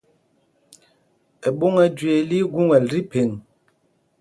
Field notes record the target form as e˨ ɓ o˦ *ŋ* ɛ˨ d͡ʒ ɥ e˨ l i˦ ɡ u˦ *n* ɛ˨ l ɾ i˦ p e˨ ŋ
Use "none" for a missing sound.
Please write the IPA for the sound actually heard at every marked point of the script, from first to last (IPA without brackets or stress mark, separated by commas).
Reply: ŋ, ŋ